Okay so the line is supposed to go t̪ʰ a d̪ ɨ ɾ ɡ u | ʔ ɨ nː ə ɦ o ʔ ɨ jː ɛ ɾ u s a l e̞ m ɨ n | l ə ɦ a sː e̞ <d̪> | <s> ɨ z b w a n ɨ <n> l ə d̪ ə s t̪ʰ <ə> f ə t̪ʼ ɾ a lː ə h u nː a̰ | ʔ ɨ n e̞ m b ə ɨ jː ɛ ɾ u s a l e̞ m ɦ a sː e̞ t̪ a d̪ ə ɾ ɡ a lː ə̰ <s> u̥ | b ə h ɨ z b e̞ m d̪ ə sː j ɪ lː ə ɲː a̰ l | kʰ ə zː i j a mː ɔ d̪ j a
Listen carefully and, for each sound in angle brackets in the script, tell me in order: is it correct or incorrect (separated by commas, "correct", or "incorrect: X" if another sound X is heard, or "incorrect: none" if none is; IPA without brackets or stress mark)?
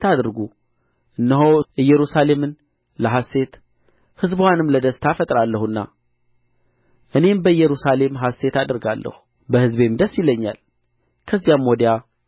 incorrect: t̪, incorrect: h, incorrect: m, incorrect: a, incorrect: h